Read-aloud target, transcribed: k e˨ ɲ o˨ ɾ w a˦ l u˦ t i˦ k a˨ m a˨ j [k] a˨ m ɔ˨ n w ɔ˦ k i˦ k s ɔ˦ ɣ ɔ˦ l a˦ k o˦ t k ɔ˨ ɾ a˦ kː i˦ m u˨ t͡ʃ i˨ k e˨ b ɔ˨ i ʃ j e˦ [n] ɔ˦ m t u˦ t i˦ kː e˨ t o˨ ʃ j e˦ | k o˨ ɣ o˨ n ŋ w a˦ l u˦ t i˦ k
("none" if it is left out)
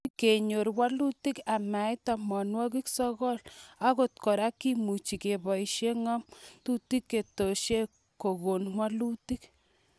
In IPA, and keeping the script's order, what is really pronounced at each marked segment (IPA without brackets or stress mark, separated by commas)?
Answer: t, ŋ